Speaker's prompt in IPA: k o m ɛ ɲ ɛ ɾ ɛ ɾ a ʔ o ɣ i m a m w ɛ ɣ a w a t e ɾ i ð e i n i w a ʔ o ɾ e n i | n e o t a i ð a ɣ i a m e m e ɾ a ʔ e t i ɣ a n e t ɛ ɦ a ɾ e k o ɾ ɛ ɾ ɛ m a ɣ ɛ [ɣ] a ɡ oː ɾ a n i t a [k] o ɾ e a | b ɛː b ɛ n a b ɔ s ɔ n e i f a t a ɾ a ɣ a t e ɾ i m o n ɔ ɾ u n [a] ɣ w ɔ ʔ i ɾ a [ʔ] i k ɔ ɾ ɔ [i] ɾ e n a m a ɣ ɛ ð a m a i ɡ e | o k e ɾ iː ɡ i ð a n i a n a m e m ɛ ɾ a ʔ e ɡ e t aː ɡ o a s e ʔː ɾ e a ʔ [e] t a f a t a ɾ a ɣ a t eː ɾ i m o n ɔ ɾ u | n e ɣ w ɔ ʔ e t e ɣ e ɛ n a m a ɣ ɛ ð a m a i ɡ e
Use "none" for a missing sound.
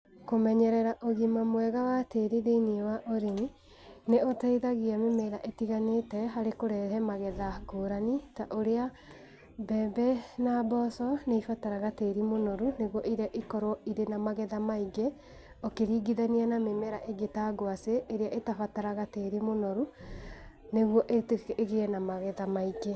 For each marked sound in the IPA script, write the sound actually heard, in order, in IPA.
ð, ʔ, e, ʔ, i, e

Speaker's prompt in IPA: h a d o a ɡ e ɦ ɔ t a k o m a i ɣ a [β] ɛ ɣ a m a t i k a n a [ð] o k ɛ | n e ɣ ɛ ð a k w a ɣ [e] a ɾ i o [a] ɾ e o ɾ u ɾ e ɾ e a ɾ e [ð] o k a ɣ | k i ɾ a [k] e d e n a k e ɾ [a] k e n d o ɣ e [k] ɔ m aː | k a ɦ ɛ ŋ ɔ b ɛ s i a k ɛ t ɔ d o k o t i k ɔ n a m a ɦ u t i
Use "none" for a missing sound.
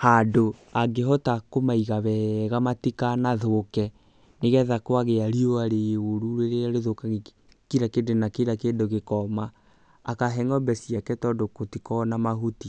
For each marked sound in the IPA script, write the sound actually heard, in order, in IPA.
β, ð, e, a, ð, k, a, k

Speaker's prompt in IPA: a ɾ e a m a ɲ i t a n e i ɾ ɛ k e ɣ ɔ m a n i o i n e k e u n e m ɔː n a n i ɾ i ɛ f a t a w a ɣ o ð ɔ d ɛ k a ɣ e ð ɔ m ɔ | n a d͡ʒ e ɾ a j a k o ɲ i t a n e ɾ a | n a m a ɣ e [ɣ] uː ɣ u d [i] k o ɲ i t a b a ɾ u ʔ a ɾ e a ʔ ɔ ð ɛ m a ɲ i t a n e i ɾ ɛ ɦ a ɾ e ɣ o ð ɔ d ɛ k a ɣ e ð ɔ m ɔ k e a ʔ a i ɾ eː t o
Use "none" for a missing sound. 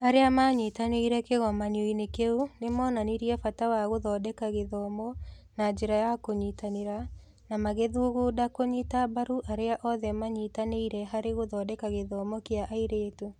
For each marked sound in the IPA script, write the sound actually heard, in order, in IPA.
ð, a

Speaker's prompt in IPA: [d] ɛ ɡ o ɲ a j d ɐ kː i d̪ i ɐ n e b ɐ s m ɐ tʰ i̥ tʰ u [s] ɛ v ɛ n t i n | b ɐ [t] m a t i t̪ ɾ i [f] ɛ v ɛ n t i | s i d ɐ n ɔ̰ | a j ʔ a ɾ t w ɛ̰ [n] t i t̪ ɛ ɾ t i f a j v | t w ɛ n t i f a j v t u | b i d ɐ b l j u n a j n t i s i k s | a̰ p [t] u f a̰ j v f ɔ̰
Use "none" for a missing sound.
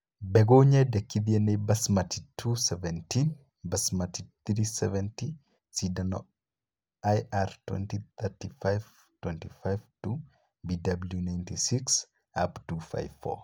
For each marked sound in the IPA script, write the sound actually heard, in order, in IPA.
b, s, s, s, n, t

